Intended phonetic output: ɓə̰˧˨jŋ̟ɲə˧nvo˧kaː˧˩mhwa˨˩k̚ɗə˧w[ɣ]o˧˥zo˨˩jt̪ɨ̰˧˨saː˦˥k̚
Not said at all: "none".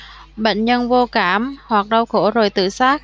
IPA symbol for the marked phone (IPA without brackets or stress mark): x